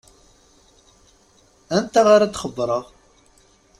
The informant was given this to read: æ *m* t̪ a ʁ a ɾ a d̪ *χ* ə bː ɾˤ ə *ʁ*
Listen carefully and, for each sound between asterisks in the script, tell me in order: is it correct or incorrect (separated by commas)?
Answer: incorrect, correct, correct